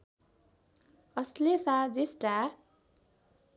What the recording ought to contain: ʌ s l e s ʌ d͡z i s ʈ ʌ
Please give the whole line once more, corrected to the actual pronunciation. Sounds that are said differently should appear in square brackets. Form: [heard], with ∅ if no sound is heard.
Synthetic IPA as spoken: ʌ s l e s [a] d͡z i s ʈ [a]